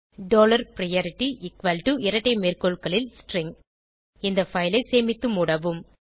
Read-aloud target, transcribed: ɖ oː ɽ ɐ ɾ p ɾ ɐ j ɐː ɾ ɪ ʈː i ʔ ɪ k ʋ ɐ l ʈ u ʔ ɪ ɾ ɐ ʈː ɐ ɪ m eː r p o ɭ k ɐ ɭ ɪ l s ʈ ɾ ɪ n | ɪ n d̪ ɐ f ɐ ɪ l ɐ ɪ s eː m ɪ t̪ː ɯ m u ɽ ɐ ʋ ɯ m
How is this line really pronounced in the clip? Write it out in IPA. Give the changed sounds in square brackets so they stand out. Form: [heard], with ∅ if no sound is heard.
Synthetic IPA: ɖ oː [l] ɐ ɾ p ɾ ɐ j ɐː ɾ ɪ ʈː i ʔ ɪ k ʋ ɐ l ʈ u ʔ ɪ ɾ ɐ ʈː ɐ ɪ m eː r [k] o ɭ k ɐ ɭ ɪ l s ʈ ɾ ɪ [ŋ] | ɪ n d̪ ɐ f ɐ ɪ l ɐ ɪ s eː m ɪ t̪ː ɯ m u ɽ ɐ ʋ ɯ m